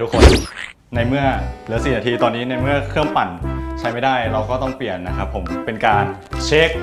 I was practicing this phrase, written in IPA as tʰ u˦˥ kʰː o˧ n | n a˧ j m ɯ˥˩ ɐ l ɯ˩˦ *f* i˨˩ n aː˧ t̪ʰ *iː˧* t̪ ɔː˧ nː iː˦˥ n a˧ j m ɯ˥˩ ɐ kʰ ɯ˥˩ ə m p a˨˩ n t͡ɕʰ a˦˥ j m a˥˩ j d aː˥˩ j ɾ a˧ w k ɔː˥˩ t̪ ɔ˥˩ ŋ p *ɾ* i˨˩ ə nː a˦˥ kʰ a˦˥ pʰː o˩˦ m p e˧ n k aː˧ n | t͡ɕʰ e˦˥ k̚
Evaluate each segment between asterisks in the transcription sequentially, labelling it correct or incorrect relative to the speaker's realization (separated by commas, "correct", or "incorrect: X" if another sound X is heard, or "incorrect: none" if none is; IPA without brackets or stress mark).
incorrect: s, correct, incorrect: l